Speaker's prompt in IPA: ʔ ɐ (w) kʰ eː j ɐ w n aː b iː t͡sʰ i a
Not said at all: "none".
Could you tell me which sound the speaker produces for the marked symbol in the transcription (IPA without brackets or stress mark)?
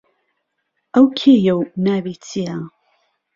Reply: w